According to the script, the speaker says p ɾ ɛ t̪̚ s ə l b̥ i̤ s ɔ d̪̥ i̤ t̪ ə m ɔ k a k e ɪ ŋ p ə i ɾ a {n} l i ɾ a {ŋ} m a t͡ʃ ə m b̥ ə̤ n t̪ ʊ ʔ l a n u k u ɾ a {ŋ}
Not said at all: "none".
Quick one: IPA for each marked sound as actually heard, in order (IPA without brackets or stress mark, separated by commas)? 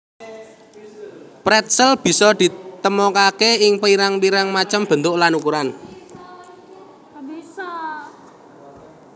ŋ, ŋ, n